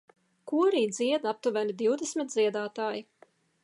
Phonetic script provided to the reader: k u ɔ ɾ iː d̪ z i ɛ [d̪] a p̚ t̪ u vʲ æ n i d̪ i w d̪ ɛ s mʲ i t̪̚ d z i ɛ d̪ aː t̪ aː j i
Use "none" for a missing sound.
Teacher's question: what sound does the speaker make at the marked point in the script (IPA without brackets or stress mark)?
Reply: d̪